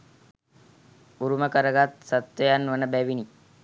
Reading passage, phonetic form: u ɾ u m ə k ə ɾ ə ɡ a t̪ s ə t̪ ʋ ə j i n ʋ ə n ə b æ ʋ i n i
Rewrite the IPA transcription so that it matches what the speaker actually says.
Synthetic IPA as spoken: u ɾ u m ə k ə ɾ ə ɡ a t̪ s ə t̪ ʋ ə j a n ʋ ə n ə b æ ʋ i n i

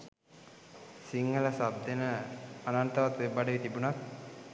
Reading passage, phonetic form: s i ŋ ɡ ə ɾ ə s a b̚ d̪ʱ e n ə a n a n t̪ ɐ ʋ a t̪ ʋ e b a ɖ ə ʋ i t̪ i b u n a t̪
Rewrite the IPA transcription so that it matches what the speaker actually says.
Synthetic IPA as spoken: s i ŋ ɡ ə l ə s a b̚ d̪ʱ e n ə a n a n t̪ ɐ ʋ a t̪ ʋ e b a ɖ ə ʋ i t̪ i b u n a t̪

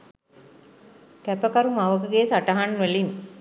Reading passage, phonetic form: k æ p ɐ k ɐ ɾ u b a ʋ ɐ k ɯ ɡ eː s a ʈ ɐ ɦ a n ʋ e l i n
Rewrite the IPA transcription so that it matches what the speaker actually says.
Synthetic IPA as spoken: k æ p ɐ k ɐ ɾ u m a ʋ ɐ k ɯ ɡ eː s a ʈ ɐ ɦ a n ʋ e l i n

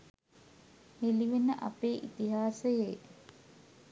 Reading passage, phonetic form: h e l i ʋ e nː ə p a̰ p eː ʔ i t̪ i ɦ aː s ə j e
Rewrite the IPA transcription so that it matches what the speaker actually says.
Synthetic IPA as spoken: h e l i ʋ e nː ə ʔ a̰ p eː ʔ i t̪ i ɦ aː s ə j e

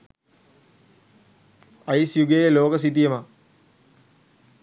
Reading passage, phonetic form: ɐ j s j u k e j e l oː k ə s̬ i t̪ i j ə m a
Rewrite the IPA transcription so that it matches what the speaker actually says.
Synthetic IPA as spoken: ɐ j s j u ɡ e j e l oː k ə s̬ i t̪ i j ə m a

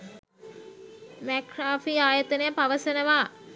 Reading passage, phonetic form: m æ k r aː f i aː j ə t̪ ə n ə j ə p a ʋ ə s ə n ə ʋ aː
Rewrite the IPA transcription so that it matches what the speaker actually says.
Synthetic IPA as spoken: m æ k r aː f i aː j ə t̪ ə n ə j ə p a ʋ ə s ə n ə ʋ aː

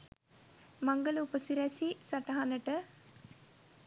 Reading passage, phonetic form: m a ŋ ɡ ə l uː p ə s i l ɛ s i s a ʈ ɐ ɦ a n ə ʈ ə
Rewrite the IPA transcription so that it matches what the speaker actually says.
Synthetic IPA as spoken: m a ŋ ɡ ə l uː p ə s i ɾ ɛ s i s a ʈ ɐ ɦ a n ə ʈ ə

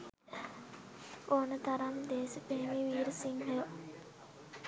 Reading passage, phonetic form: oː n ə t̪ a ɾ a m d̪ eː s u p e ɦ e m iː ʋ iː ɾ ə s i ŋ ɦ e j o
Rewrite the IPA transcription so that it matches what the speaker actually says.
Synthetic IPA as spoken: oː n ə t̪ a ɾ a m d̪ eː s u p e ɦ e m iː ʋ iː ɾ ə s i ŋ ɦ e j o

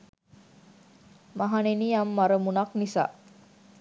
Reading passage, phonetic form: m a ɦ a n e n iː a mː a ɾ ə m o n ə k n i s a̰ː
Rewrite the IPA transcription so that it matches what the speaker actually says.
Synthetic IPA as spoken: m a ɦ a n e n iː a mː a ɾ ə m u n a k n i s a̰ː

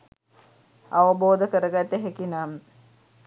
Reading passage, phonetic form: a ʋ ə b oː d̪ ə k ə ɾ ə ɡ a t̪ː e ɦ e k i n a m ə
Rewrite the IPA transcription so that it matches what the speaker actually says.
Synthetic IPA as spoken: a ʋ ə b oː d̪ ə k ə ɾ ə ɡ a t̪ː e ɦ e k i n a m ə

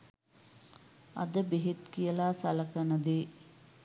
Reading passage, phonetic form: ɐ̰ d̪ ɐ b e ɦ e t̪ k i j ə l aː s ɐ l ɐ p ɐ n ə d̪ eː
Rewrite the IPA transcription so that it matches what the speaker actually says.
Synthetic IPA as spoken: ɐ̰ d̪ ə b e ɦ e t̪ k i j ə l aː s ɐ l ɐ k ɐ n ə d̪ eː

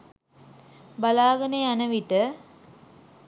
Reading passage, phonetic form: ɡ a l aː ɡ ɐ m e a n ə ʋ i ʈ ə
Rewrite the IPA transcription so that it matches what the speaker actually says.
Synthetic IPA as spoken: b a l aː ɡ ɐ n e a n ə ʋ i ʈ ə

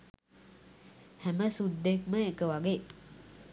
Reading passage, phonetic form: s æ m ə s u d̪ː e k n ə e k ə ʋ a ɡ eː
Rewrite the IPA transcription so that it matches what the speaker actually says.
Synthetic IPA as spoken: h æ m ə s u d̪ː e k m ə e k ə ʋ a ɡ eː

